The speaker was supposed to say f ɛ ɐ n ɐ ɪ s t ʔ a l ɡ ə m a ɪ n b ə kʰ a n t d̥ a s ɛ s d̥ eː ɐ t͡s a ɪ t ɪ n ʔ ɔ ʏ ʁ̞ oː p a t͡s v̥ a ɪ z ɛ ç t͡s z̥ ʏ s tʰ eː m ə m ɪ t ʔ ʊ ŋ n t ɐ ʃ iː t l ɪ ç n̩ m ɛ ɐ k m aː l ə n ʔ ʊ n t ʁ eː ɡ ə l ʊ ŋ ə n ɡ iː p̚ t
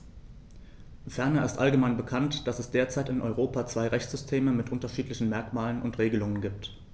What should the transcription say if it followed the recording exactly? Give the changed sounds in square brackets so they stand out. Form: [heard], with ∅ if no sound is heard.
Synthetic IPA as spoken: f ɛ ɐ n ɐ ɪ s t ʔ a l ɡ ə m a ɪ n b ə kʰ a n t d̥ a s ɛ s d̥ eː ɐ t͡s a ɪ t ɪ n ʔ ɔ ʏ ʁ̞ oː p a t͡s v̥ a ɪ [ʁ] ɛ ç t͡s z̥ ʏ s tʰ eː m ə m ɪ t ʔ ʊ [∅] n t ɐ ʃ iː t l ɪ ç n̩ m ɛ ɐ k m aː l ə n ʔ ʊ n t ʁ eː ɡ ə l ʊ ŋ ə n ɡ iː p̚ t

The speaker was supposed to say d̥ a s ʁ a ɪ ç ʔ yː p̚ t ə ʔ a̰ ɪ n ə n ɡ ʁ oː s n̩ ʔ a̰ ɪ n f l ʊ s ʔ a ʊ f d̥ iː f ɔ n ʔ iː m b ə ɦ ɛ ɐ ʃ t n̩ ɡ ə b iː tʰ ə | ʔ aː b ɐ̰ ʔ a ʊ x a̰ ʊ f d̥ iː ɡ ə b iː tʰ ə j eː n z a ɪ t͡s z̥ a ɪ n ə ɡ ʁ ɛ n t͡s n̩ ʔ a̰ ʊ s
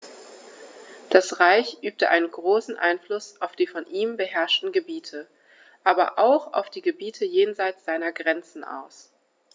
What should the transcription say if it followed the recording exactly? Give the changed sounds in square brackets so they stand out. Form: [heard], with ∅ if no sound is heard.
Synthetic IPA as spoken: d̥ a s ʁ a ɪ ç ʔ yː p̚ t ə ʔ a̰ ɪ n ə n ɡ ʁ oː s n̩ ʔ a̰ ɪ n f l ʊ s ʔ a ʊ f d̥ iː f ɔ n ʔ iː m b ə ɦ ɛ ɐ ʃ t n̩ ɡ ə b iː tʰ ə | ʔ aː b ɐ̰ ʔ a ʊ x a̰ ʊ f d̥ iː ɡ ə b iː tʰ ə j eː n z a ɪ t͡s z̥ a ɪ n [ɐ] ɡ ʁ ɛ n t͡s n̩ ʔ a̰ ʊ s

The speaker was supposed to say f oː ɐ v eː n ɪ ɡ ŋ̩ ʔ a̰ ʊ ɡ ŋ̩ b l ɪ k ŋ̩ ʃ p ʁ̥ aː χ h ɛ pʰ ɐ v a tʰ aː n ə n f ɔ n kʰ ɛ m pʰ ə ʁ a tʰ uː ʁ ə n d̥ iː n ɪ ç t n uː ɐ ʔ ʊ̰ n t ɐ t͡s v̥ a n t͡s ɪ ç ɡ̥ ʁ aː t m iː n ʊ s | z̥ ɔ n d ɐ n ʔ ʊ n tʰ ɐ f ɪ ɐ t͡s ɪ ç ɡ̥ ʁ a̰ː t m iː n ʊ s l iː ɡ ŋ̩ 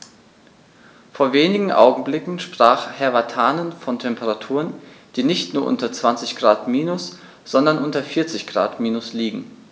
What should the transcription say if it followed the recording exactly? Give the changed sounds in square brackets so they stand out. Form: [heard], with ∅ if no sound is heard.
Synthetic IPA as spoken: f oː ɐ v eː n ɪ ɡ ŋ̩ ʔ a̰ ʊ ɡ ŋ̩ b l ɪ k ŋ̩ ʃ p ʁ̥ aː χ h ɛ [∅] ɐ v a tʰ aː n ə n f ɔ n [tʰ] ɛ m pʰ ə ʁ a tʰ uː ʁ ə n d̥ iː n ɪ ç t n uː ɐ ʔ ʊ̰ n t ɐ t͡s v̥ a n t͡s ɪ ç ɡ̥ ʁ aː t m iː n ʊ s | z̥ ɔ n d ɐ n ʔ ʊ n [t] ɐ f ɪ ɐ t͡s ɪ ç ɡ̥ ʁ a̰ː t m iː n ʊ s l iː ɡ ŋ̩

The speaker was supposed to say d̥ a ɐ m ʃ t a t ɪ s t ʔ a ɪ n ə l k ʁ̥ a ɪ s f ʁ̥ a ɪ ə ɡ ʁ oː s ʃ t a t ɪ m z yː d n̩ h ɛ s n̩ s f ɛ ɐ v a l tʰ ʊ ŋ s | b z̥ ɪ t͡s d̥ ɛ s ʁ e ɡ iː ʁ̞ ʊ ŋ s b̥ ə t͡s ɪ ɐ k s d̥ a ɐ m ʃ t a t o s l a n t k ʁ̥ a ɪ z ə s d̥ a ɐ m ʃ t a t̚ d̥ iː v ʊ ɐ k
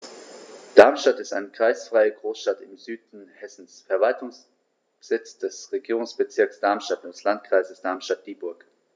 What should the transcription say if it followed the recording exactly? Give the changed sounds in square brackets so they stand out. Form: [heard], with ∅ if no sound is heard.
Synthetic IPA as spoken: d̥ a ɐ m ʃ t a t ɪ s t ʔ a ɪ n ə [∅] k ʁ̥ a ɪ s f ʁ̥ a ɪ ə ɡ ʁ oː s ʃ t a t ɪ m z yː d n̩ h ɛ s n̩ s f ɛ ɐ v a l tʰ ʊ ŋ s | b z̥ ɪ t͡s d̥ ɛ s ʁ e ɡ iː ʁ̞ ʊ ŋ s b̥ ə t͡s ɪ ɐ k s d̥ a ɐ m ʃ t a t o s l a n t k ʁ̥ a ɪ z ə s d̥ a ɐ m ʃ t a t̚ d̥ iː [b] ʊ ɐ k

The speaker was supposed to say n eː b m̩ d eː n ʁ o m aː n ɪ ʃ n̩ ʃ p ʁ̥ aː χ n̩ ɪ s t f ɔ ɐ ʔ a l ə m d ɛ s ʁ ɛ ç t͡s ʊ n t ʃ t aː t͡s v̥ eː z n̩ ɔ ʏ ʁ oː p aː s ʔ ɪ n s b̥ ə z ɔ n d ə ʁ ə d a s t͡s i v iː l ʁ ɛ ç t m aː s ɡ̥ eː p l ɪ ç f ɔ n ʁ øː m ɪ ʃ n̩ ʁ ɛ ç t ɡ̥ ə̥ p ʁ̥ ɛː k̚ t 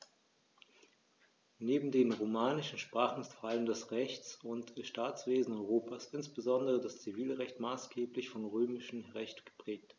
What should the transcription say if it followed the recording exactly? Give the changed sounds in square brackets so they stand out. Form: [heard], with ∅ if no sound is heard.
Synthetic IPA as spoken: n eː b m̩ d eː n ʁ o m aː n ɪ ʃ n̩ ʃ p ʁ̥ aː χ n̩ ɪ s t f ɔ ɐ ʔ a l ə m d ɛ s ʁ ɛ ç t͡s ʊ n t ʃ t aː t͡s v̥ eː z n̩ ɔ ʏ ʁ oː p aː s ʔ ɪ n s b̥ ə z ɔ n d ə ʁ ə d a s t͡s i v iː l ʁ ɛ ç t m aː s ɡ̥ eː p l ɪ ç f ɔ n ʁ øː m ɪ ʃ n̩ ʁ ɛ ç t ɡ̥ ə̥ p ʁ̥ ɛː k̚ t

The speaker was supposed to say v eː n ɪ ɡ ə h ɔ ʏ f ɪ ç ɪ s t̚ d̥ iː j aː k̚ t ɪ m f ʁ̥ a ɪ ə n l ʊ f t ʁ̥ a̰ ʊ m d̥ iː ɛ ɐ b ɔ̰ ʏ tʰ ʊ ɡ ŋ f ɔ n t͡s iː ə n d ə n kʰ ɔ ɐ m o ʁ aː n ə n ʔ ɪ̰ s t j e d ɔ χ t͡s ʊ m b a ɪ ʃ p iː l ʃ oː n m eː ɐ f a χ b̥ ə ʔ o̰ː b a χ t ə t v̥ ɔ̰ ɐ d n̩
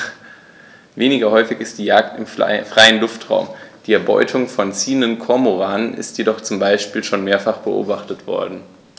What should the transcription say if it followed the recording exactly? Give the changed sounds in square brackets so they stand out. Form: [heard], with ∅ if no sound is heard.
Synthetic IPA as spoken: v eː n ɪ ɡ [ɐ] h ɔ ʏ f ɪ ç ɪ s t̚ d̥ iː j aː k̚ t ɪ m f ʁ̥ a ɪ ə n l ʊ f t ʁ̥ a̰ ʊ m d̥ iː ɛ ɐ b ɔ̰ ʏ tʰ ʊ [∅] ŋ f ɔ n t͡s iː ə n d ə n kʰ ɔ ɐ m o ʁ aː n ə n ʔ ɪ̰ s t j e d ɔ χ t͡s ʊ m b a ɪ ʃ p iː l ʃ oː n m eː ɐ f a χ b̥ ə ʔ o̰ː b a χ t ə t v̥ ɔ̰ ɐ d n̩

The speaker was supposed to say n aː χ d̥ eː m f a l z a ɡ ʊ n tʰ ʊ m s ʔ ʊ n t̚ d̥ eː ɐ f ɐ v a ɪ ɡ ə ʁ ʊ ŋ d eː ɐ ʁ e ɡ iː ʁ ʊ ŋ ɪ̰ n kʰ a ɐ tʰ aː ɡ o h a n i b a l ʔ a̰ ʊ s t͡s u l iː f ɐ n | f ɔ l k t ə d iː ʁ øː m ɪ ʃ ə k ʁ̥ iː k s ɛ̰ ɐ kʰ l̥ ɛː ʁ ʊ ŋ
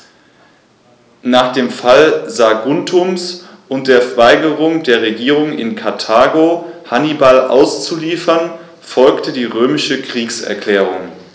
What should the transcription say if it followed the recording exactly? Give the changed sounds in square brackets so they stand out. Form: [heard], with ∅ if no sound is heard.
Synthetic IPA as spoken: n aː χ d̥ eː m f a l z a ɡ ʊ n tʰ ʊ m s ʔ ʊ n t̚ d̥ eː ɐ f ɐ v a ɪ ɡ ə ʁ ʊ ŋ d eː ɐ ʁ e ɡ iː ʁ ʊ ŋ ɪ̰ n kʰ a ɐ tʰ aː ɡ o h a n i b a l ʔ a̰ ʊ s t͡s u l iː f ɐ n | f ɔ l k t ə d iː ʁ øː m ɪ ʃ ə k ʁ̥ iː k s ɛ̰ ɐ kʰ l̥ ɛː ʁ ʊ ŋ

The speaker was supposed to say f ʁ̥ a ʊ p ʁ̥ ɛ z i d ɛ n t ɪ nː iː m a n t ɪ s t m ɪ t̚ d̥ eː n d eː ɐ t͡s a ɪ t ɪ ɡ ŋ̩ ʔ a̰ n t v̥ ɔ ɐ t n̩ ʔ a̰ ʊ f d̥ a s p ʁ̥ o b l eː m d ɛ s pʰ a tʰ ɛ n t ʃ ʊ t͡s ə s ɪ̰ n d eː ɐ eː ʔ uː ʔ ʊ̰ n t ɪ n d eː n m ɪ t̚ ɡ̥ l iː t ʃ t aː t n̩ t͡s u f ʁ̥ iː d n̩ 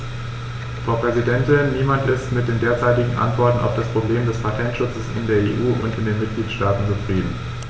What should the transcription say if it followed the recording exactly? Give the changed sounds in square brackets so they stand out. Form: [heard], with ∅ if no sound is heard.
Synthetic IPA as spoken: f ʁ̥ a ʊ p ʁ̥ ɛ z i d ɛ n t ɪ nː iː m a n t ɪ s t m ɪ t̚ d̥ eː n d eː ɐ t͡s a ɪ t ɪ ɡ ŋ̩ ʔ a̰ n t v̥ ɔ ɐ t n̩ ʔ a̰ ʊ f d̥ a s p ʁ̥ o b l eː m d ɛ s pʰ a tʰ ɛ n t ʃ ʊ t͡s ə s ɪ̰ n d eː ɐ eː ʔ uː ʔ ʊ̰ n t ɪ n d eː n m ɪ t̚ ɡ̥ l iː t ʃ t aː t n̩ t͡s u f ʁ̥ iː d n̩

